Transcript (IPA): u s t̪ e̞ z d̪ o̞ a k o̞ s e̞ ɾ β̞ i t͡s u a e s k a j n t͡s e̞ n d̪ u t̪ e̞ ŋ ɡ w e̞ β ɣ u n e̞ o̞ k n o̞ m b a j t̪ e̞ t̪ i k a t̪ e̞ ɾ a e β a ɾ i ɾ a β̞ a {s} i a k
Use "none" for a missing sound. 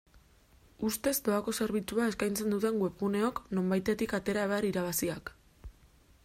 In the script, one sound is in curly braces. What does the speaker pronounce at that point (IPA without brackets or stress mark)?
s